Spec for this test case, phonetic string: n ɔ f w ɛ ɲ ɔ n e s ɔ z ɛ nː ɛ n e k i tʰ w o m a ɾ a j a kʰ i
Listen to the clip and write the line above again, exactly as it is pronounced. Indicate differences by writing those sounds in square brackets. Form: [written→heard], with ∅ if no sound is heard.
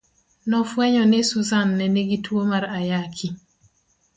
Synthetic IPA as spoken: n ɔ f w ɛ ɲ ɔ n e s [ɔ→u] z [ɛ→a] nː ɛ n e [k→ɡ] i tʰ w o m a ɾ a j a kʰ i